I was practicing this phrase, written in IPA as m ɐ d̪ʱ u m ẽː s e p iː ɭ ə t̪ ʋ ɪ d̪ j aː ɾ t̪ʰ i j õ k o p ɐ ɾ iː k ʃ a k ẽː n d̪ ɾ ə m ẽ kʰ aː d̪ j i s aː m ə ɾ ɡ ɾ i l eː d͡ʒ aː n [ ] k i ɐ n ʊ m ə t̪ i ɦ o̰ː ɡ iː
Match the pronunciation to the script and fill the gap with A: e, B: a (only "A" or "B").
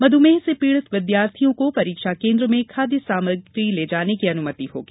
A